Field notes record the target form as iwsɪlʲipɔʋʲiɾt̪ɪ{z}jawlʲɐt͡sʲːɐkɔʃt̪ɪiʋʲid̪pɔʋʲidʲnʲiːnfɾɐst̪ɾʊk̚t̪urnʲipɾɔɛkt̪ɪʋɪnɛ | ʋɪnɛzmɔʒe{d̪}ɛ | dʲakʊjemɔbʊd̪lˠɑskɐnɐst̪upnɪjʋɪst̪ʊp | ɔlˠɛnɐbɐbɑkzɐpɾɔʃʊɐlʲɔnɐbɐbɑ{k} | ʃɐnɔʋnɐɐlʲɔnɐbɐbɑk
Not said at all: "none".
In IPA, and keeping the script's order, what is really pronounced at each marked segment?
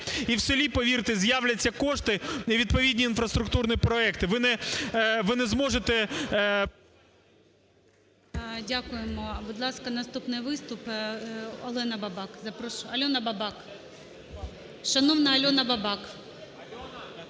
z, t̪, k

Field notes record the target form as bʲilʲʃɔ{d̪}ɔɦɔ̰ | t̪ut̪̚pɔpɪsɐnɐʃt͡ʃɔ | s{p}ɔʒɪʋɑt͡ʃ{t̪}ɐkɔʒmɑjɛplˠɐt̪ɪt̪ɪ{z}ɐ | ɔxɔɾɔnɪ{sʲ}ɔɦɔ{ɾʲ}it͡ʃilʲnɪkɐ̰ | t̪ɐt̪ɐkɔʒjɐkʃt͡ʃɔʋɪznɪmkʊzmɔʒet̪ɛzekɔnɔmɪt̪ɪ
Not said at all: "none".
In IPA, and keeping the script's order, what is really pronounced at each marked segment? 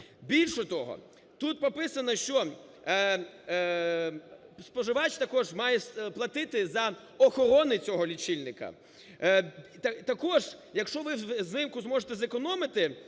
t̪, p, t̪, z, t͡sʲ, lʲ

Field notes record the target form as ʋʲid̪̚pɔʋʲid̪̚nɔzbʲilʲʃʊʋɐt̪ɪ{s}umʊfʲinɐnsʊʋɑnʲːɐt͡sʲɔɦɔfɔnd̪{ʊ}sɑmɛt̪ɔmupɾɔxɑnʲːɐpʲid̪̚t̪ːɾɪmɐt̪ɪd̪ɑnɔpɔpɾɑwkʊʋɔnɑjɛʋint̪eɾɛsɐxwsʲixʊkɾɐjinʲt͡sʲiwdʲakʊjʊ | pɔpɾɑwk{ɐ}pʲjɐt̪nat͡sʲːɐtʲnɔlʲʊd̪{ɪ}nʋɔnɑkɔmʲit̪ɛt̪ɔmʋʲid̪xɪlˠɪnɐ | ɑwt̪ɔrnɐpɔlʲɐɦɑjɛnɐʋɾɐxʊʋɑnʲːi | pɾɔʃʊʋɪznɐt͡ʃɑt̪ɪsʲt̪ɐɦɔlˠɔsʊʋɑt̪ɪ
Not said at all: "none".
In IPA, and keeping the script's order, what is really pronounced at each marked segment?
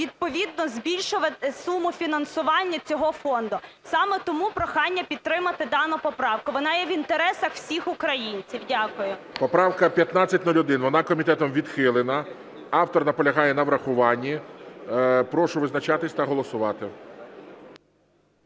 s, ʊ, ɐ, ɪ

